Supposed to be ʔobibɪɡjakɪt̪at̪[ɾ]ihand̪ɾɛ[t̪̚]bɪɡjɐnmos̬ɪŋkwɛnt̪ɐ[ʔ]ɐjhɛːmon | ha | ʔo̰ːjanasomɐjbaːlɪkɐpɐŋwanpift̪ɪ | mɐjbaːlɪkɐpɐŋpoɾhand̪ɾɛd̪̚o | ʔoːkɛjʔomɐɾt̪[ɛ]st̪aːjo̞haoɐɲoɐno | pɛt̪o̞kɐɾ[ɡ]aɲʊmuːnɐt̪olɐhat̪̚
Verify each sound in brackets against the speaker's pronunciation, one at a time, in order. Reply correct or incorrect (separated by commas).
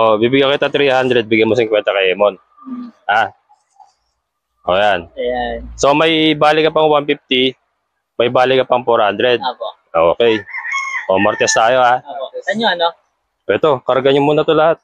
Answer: correct, incorrect, incorrect, correct, correct